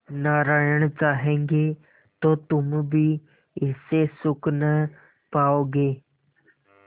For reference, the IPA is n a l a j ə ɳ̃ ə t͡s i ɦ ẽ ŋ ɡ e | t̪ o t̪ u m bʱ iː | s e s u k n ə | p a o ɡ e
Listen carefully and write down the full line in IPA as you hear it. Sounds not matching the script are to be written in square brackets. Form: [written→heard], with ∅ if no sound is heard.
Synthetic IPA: n a [l→ɾ] a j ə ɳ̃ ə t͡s [i→a] ɦ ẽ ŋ ɡ e | t̪ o t̪ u m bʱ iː | s e s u k n ə | p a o ɡ e